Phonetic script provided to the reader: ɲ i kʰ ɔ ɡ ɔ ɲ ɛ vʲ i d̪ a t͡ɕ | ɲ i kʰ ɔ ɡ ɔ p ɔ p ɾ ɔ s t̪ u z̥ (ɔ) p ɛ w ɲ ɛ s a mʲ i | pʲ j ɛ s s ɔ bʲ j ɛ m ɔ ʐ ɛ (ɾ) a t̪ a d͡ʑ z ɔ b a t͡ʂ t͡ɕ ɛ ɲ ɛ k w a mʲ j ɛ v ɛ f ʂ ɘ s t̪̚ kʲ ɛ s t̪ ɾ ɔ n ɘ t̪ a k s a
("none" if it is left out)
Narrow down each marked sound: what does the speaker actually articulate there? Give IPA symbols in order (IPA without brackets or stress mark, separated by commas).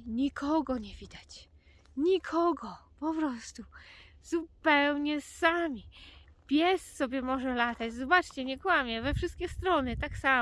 u, l